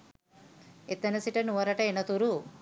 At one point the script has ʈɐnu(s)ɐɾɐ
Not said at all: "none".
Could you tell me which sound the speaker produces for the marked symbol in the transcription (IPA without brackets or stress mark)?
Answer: none